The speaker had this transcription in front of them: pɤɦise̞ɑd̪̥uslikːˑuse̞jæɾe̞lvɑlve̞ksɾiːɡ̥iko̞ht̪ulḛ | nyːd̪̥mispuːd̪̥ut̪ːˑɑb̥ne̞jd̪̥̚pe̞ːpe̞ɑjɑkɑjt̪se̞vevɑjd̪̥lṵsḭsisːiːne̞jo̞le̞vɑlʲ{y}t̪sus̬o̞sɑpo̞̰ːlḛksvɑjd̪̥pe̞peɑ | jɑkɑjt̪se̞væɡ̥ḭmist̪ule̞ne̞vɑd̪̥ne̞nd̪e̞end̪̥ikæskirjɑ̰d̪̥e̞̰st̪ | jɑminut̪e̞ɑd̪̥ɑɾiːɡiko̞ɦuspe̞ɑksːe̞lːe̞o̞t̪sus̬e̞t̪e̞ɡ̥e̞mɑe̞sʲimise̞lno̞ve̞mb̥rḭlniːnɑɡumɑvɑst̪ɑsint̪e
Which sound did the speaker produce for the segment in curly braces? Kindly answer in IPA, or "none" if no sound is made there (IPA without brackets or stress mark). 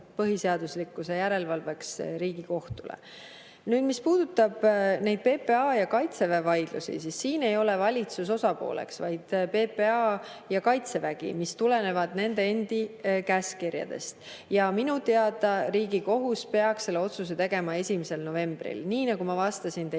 i